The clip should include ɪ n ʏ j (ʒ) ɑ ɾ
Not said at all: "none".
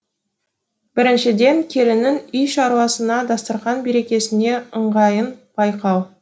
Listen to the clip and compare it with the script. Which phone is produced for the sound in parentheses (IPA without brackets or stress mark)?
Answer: ʃ